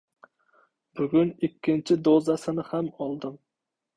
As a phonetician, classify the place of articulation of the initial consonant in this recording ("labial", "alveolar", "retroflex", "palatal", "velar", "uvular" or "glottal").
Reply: labial